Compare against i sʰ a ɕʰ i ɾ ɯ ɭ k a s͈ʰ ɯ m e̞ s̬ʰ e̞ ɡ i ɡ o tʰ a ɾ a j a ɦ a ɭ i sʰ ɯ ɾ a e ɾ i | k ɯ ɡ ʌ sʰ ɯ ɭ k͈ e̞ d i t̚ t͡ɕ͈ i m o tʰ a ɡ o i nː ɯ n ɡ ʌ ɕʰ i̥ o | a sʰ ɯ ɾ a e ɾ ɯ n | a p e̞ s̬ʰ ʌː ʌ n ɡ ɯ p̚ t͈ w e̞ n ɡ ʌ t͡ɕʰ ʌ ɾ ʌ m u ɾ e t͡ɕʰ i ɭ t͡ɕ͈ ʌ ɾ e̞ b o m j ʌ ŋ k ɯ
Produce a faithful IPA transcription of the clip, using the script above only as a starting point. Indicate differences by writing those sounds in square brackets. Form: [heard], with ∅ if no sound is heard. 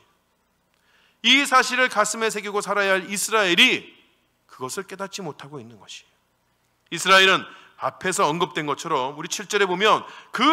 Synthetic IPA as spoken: i sʰ a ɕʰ i ɾ ɯ ɭ k a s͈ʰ ɯ m e̞ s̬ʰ e̞ ɡ i ɡ o [sʰ] a ɾ a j a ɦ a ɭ i sʰ ɯ ɾ a e ɾ i | k ɯ ɡ ʌ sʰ ɯ ɭ k͈ e̞ d [a] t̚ t͡ɕ͈ i m o tʰ a ɡ o i nː ɯ n ɡ ʌ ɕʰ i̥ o | [i] sʰ ɯ ɾ a e ɾ ɯ n | a [pʰ] e̞ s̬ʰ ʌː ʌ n ɡ ɯ p̚ t͈ w e̞ n ɡ ʌ t͡ɕʰ ʌ ɾ ʌ m u ɾ [i] t͡ɕʰ i ɭ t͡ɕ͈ ʌ ɾ e̞ b o m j ʌ [n] k ɯ

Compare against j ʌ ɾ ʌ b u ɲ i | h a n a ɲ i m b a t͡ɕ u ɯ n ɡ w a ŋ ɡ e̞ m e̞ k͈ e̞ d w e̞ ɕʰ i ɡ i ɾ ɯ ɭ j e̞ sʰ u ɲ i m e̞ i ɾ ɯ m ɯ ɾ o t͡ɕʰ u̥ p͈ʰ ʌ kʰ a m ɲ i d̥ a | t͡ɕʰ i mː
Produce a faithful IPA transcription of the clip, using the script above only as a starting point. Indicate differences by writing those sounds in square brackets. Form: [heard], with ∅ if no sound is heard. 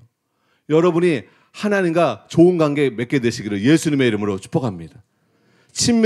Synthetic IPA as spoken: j ʌ ɾ ʌ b u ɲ i | h a n a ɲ i m [ɡ] a t͡ɕ [o] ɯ n ɡ w a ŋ ɡ e̞ m e̞ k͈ e̞ d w e̞ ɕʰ i ɡ i ɾ ɯ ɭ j e̞ sʰ u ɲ i m e̞ i ɾ ɯ m ɯ ɾ o t͡ɕʰ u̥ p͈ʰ ʌ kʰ a m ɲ i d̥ a | t͡ɕʰ i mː

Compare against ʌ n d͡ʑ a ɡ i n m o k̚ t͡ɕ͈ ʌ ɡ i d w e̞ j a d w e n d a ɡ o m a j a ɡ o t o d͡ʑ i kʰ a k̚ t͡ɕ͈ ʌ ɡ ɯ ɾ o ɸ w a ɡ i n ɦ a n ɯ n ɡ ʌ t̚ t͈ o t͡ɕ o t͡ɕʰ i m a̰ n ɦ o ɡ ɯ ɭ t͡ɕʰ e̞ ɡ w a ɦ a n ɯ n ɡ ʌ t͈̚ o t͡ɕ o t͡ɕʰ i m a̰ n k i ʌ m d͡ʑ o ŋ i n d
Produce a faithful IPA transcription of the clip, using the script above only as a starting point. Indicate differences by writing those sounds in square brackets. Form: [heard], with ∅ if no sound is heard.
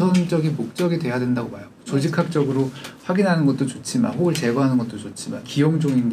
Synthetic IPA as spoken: ʌ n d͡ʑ [ʌ] ɡ i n m o k̚ t͡ɕ͈ ʌ ɡ i d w e̞ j a d w e n d a ɡ o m a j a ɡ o [t͡ɕ] o d͡ʑ i kʰ a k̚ t͡ɕ͈ ʌ ɡ ɯ ɾ o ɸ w a ɡ i n ɦ a n ɯ n ɡ ʌ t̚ t͈ o t͡ɕ o t͡ɕʰ i m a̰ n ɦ o ɡ ɯ ɭ [t͡ɕ] e̞ ɡ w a ɦ a n ɯ n ɡ ʌ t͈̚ o t͡ɕ o t͡ɕʰ i m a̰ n k i ʌ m d͡ʑ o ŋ i n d

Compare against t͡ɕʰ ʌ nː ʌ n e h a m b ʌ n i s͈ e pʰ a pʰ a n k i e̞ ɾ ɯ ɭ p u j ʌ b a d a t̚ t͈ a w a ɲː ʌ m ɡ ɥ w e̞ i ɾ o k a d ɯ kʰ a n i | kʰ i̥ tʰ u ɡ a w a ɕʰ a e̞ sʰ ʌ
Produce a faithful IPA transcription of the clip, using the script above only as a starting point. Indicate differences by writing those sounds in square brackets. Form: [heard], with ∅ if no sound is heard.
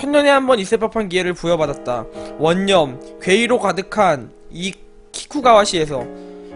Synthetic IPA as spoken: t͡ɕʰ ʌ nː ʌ n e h a m b ʌ n i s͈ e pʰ a pʰ a n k i e̞ ɾ ɯ ɭ p u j ʌ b a d a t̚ t͈ a w [ʌ] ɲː ʌ m [k] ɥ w e̞ i ɾ o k a d ɯ kʰ a n i | kʰ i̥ [kʰ] u ɡ a w a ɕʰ [i] e̞ sʰ ʌ

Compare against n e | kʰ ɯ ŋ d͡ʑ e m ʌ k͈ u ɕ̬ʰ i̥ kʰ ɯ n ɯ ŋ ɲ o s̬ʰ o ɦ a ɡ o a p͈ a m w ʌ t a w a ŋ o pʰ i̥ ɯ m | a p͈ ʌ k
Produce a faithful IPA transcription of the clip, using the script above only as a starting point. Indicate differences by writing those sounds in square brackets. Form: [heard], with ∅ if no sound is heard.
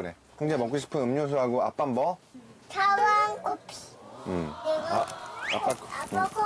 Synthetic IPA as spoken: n e | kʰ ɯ ŋ d͡ʑ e m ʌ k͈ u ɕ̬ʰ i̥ [pʰ] ɯ n ɯ [m] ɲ o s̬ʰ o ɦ a ɡ o a p͈ a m [b] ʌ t a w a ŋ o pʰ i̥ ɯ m | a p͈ [a] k

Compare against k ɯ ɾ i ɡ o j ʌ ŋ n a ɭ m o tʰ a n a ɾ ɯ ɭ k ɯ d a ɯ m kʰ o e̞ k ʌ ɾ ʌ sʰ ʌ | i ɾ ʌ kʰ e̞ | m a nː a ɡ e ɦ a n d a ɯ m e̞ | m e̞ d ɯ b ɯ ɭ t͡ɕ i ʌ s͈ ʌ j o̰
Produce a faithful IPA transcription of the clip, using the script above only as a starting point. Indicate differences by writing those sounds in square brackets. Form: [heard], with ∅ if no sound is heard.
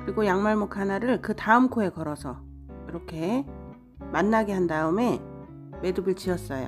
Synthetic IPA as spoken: k ɯ ɾ i ɡ o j [a] ŋ [m] a ɭ m o [kʰ] a n a ɾ ɯ ɭ k ɯ [t] a ɯ m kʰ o e̞ k ʌ ɾ ʌ sʰ ʌ | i ɾ ʌ kʰ e̞ | m a nː a ɡ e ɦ a n d a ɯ m e̞ | m e̞ d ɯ b ɯ ɭ t͡ɕ i ʌ s͈ ʌ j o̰

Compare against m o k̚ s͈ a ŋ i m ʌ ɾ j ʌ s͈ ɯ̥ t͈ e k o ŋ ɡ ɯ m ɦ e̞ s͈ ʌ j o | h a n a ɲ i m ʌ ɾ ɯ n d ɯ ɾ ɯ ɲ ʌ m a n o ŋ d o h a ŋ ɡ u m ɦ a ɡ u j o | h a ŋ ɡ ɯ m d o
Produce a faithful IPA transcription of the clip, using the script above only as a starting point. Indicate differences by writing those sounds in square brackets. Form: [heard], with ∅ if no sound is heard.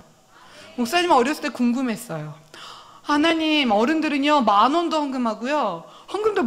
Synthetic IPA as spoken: m o k̚ s͈ a [ɲ] i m ʌ ɾ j ʌ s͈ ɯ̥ t͈ e k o ŋ ɡ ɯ m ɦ e̞ s͈ ʌ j o | h a n a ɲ i m ʌ ɾ ɯ n d ɯ ɾ ɯ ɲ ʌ m a n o [n] d o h a ŋ ɡ [ɯ] m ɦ a ɡ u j o | h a ŋ ɡ ɯ m d o

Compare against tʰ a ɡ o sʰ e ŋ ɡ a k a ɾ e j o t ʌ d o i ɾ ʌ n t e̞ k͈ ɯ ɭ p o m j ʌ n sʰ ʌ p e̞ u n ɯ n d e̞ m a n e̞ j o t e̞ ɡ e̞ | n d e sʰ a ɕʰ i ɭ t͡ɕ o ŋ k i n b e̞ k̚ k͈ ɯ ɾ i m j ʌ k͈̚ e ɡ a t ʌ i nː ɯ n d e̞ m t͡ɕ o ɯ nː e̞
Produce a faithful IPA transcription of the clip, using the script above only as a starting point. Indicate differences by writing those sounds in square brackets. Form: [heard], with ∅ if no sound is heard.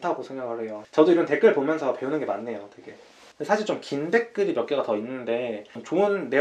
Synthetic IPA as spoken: tʰ a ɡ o sʰ e ŋ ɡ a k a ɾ e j o [t͡ɕ] ʌ d o i ɾ ʌ n t e̞ k͈ ɯ ɭ p o m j ʌ n sʰ ʌ p e̞ u n ɯ n [ɡ] e̞ m a [nː] e̞ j o t e̞ ɡ e̞ | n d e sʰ a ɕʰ i ɭ t͡ɕ o [m] k i n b e̞ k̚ k͈ ɯ ɾ i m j ʌ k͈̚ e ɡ a t ʌ i nː ɯ n d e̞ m t͡ɕ o ɯ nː e̞

